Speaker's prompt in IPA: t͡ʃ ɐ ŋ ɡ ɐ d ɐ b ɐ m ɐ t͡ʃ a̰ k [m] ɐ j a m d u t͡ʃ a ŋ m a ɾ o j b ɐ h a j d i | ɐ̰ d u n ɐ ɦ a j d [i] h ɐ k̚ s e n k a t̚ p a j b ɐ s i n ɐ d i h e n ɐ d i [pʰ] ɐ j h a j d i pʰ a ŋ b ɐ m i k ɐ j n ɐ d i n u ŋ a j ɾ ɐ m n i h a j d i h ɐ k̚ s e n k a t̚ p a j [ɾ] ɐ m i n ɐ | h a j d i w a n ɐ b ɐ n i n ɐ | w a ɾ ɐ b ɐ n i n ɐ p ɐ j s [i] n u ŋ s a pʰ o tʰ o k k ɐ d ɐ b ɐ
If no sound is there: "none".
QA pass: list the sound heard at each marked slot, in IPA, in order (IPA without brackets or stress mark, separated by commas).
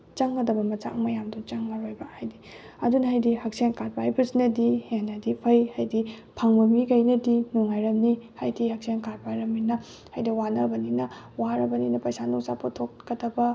m, i, pʰ, ɾ, a